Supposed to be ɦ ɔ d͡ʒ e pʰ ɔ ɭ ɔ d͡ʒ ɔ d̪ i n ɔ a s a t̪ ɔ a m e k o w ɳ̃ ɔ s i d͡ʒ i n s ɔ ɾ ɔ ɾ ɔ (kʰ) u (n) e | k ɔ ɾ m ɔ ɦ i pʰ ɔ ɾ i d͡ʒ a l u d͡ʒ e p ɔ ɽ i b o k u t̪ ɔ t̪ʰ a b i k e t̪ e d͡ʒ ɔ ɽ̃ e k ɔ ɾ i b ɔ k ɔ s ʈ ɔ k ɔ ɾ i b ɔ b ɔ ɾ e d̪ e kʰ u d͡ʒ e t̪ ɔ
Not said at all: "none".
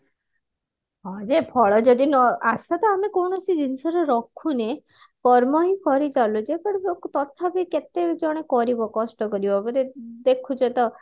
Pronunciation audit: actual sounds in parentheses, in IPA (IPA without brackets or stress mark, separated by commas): kʰ, n